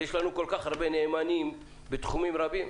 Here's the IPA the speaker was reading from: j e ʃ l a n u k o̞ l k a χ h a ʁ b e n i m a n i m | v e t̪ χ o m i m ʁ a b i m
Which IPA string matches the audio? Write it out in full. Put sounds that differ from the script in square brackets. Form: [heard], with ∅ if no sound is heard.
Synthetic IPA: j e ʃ l a n u k o̞ l k a χ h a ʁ b e n [e] m a n i m | [b] e t̪ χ [u] m i m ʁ a b i m